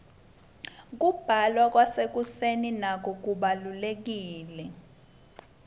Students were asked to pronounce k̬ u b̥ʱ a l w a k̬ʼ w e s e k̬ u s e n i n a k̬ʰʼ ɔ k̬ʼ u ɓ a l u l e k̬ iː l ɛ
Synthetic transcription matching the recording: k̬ u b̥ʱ a l w a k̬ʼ w a s e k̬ u s e n i n a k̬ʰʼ ɔ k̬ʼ u ɓ a l u l e k̬ iː l ɛ